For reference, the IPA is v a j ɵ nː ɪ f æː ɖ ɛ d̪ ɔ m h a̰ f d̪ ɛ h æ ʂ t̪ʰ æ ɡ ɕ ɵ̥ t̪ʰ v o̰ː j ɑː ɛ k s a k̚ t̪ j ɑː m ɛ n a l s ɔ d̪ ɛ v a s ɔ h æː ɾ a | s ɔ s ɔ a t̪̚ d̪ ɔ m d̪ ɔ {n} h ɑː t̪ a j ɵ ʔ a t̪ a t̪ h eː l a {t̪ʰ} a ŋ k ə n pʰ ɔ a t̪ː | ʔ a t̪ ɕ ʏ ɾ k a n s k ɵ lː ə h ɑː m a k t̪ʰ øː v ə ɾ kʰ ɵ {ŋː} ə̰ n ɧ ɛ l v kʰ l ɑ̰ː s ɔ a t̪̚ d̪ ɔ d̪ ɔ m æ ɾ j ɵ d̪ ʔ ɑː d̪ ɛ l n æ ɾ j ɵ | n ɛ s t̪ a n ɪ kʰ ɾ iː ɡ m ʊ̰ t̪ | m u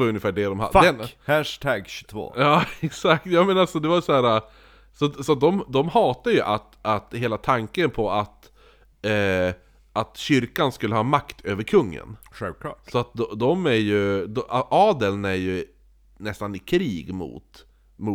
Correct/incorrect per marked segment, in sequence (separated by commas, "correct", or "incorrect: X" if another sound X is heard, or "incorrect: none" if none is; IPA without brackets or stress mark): incorrect: m, correct, correct